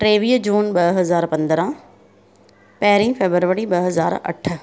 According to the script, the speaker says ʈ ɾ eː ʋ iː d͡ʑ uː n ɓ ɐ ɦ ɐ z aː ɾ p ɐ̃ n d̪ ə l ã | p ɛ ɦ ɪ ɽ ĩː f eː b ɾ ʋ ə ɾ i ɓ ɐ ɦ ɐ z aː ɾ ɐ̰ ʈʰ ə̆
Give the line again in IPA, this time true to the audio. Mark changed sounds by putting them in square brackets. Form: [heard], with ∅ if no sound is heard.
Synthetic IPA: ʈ ɾ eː ʋ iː d͡ʑ uː n ɓ ɐ ɦ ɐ z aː ɾ p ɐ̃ n d̪ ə [ɾ] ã | p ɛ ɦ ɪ [ɾ] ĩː f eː b ɾ ʋ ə ɾ i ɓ ɐ ɦ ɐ z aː ɾ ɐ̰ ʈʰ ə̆